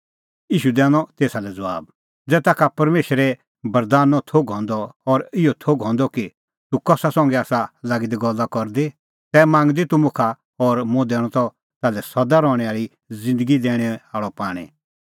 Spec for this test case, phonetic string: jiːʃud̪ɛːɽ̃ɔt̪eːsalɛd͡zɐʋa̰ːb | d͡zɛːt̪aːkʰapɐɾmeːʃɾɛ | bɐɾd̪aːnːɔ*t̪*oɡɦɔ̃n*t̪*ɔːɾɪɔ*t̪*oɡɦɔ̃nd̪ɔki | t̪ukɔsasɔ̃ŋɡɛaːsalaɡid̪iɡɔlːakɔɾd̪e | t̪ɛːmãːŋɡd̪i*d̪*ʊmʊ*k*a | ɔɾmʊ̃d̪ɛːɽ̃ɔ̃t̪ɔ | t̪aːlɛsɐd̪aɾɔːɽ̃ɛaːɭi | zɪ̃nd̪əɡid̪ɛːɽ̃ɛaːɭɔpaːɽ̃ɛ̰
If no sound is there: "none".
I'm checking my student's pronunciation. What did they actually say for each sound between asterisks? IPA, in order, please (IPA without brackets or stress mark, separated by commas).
t̪ʰ, d̪, t̪ʰ, t̪, kʰ